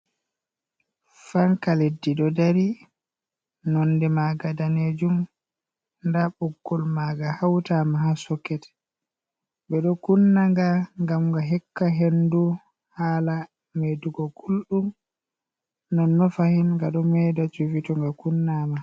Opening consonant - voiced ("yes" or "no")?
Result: no